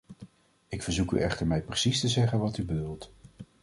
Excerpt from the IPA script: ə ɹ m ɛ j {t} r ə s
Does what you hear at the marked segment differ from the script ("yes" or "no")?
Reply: yes